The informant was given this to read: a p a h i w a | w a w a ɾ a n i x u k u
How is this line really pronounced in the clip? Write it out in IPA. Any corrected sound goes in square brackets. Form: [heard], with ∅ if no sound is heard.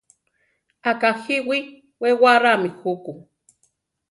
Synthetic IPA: a [k] a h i w [i] | w [e] w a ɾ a [m] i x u k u

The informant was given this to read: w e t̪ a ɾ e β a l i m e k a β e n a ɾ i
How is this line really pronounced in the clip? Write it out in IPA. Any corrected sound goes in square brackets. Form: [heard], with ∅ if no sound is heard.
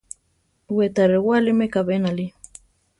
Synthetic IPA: w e t̪ a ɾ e [w] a l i m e k a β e n a [l] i

